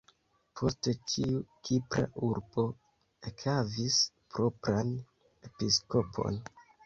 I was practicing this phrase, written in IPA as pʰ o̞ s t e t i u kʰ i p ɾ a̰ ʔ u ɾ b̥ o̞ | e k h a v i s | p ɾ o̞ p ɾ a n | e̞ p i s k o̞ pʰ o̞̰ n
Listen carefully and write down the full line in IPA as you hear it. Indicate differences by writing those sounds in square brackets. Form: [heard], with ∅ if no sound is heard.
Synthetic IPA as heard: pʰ o̞ s t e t i u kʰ i p ɾ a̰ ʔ u ɾ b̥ o̞ | e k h a v i s | p ɾ o̞ p ɾ a n | e̞ p i s k o̞ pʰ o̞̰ n